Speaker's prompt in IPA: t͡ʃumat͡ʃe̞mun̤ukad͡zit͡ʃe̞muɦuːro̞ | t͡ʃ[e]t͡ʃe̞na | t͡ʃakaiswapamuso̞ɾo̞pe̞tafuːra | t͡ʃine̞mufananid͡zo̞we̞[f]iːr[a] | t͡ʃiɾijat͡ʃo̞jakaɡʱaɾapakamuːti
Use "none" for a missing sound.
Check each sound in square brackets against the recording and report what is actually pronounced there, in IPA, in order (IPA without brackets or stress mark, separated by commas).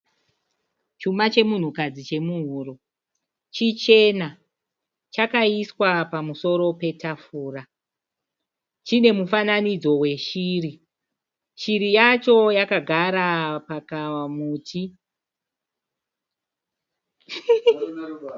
i, ʃ, i